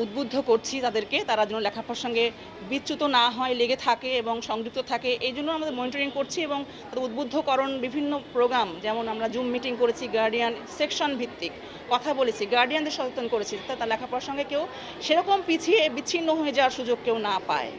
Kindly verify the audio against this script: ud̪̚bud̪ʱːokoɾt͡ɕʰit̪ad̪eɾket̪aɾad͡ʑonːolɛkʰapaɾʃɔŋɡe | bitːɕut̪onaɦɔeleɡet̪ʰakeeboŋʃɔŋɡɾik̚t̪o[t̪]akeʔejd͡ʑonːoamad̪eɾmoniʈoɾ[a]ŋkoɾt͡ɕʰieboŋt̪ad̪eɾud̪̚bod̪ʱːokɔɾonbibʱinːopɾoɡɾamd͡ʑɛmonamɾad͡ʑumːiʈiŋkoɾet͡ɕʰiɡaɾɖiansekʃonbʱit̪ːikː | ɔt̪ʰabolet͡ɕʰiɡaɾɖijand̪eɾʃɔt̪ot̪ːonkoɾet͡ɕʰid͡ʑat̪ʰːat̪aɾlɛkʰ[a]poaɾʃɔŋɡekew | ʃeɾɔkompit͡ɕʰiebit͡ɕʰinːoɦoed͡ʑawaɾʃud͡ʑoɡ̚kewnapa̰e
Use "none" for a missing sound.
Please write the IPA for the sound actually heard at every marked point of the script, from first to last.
t̪ʰ, i, a

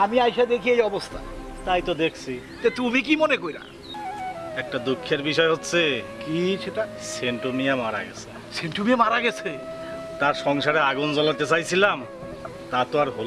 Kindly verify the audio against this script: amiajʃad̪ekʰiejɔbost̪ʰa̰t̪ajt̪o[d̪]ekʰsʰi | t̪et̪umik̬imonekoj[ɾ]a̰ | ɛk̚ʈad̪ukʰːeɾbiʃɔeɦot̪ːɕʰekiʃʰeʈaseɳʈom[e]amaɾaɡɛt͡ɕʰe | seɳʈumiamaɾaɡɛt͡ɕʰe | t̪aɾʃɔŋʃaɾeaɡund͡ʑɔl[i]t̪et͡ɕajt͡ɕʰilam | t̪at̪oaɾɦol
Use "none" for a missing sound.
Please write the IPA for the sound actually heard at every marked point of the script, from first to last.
d̪, ɾ, i, a

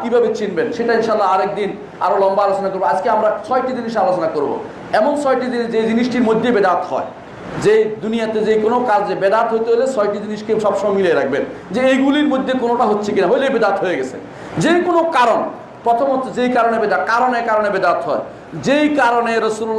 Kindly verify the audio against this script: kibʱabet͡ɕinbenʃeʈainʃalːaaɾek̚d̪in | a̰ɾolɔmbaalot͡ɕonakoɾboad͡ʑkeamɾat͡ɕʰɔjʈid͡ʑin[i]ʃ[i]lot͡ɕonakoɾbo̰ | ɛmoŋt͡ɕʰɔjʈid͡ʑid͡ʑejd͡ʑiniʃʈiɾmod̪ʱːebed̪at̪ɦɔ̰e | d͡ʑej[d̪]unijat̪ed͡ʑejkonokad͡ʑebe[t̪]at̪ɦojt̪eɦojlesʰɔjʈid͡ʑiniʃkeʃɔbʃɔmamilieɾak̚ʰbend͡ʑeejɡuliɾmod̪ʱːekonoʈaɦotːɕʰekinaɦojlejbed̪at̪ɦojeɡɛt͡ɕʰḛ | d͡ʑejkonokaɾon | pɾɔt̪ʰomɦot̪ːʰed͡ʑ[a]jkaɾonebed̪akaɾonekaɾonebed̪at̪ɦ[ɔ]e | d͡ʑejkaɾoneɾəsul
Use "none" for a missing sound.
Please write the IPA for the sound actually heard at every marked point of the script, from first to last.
i, a, d̪, d̪, e, ɔ

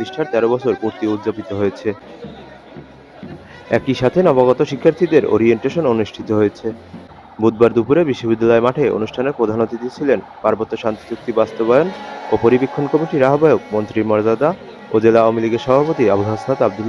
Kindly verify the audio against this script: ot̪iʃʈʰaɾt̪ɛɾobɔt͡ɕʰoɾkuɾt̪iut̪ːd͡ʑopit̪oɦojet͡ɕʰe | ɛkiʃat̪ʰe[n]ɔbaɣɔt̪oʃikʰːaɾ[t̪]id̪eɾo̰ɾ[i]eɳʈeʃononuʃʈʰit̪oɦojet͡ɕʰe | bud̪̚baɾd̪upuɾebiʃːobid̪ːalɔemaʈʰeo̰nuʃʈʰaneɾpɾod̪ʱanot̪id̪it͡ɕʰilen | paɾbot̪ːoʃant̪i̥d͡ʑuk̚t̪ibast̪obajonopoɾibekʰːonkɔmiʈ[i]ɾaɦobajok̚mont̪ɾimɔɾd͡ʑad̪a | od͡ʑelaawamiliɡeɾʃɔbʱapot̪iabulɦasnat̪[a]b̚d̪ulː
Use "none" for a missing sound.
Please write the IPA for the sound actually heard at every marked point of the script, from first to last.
n, t̪ʰ, i, i, a

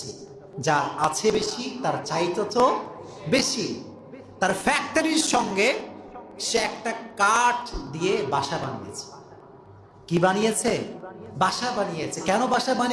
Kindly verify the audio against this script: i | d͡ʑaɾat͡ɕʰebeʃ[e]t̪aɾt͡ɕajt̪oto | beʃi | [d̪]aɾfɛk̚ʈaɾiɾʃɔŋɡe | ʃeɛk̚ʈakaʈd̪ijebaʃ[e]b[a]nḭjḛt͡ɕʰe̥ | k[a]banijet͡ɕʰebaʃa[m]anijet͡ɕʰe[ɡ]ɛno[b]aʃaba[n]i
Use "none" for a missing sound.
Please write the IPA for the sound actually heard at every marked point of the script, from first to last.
i, t̪, a, a, i, b, k, b, n

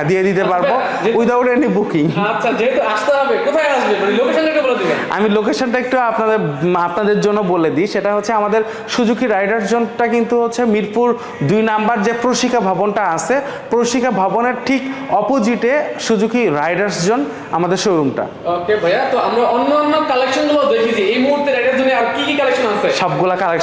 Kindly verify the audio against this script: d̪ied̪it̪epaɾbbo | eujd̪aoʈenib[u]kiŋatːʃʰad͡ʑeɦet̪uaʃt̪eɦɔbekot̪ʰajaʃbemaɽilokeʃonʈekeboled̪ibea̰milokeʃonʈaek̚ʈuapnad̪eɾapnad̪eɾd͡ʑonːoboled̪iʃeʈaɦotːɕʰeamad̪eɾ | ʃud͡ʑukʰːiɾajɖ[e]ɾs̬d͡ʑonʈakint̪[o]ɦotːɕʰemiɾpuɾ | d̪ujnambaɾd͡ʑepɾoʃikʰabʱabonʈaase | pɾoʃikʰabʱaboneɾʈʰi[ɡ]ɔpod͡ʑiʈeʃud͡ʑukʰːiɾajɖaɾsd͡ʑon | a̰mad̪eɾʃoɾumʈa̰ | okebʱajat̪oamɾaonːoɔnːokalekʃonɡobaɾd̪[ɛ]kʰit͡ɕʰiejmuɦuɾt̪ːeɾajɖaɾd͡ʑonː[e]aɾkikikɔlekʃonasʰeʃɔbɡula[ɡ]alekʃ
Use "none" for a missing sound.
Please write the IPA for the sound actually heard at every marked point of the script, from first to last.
u, a, u, k, e, e, k

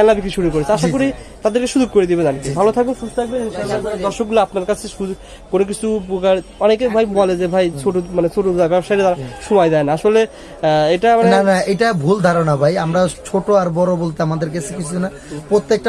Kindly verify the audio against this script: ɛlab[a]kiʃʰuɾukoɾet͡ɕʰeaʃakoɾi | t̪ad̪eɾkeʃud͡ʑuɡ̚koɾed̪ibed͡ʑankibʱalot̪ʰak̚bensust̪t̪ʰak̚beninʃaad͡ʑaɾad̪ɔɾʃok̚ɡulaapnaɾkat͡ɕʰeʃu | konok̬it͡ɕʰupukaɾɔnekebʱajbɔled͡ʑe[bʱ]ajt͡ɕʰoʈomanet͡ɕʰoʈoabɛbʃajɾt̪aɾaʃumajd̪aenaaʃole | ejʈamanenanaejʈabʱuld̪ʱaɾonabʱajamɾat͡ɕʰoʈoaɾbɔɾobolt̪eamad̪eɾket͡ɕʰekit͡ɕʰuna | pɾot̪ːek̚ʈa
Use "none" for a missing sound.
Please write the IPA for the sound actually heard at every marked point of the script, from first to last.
i, bʱ

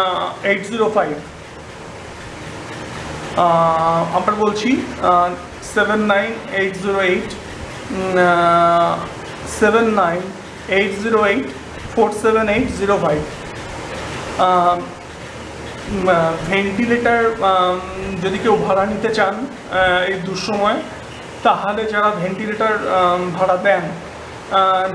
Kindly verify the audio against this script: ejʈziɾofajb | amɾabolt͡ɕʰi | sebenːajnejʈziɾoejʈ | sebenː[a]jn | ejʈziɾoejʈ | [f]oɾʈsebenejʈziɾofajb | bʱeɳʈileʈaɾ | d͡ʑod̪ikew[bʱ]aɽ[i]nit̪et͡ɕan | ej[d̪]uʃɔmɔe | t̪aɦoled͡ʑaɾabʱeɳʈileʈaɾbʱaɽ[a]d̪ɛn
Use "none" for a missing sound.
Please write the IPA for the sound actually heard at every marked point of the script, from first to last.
a, f, bʱ, a, d̪, a

